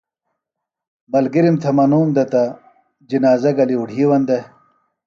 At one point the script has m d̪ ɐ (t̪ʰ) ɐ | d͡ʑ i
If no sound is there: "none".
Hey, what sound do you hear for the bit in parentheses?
t̪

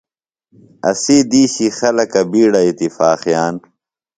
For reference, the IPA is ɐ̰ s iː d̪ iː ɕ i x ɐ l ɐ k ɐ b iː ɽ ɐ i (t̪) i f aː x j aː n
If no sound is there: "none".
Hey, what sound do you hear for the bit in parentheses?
t̪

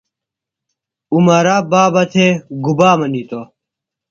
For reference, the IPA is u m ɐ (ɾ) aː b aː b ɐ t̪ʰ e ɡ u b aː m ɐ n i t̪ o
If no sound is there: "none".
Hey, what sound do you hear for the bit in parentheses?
ɾ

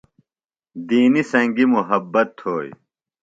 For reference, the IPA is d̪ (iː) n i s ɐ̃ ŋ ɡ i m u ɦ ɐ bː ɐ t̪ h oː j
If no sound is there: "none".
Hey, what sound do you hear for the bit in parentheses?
iː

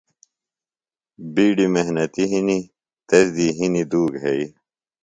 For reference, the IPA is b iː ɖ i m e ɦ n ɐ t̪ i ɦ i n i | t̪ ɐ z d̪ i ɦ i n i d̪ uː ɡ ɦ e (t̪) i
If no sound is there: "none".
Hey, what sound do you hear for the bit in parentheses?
none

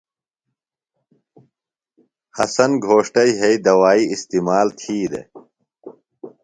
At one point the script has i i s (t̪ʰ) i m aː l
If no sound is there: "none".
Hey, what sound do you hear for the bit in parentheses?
t̪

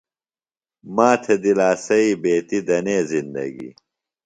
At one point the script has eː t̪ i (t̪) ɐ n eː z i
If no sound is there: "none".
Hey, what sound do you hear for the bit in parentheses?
d̪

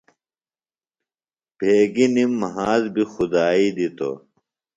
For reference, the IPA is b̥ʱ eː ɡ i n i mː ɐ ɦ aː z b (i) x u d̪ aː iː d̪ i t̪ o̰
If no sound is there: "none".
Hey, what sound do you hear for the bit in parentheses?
i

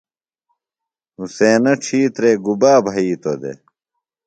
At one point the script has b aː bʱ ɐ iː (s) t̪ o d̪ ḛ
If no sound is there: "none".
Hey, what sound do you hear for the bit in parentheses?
none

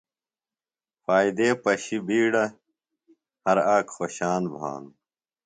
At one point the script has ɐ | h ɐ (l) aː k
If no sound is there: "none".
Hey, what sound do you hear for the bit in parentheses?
ɾ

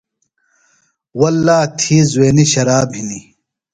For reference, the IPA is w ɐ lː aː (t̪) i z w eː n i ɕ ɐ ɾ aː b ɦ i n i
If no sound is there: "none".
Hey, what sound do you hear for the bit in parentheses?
t̪ʰ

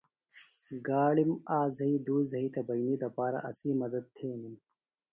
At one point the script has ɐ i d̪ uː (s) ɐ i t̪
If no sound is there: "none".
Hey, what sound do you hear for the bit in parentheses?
z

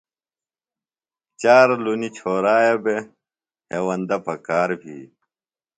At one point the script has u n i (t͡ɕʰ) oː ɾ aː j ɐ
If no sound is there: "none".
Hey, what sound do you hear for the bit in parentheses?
t͡ɕʰ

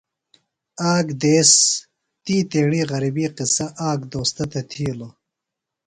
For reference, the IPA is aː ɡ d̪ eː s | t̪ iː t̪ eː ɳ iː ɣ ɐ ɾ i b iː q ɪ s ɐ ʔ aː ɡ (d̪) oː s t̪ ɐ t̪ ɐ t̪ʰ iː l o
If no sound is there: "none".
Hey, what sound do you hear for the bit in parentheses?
d̪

